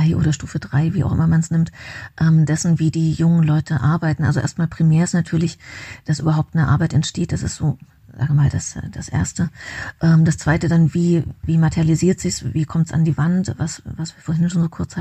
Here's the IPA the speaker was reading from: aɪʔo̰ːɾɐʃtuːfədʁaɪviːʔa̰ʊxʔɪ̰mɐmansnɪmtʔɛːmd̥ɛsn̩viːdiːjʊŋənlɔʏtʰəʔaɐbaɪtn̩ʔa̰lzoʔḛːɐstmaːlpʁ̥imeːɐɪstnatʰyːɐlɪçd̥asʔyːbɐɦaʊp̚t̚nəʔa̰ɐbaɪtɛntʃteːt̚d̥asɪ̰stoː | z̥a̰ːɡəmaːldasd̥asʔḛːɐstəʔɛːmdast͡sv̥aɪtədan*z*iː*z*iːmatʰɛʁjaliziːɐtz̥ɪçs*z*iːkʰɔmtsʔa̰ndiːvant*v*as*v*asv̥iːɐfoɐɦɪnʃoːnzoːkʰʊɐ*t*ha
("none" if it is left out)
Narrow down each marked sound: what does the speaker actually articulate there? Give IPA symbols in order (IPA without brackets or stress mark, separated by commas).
v, v, v, v, v, t͡s